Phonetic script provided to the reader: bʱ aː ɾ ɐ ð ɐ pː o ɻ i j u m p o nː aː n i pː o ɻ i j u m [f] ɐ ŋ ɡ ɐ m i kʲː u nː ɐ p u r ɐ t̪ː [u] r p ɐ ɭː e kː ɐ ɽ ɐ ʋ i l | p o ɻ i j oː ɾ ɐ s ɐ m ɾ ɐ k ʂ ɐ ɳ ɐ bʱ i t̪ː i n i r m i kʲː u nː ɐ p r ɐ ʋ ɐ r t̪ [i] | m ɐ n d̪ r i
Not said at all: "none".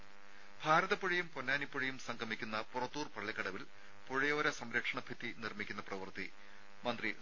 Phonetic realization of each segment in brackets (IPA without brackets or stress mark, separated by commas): s, uː, i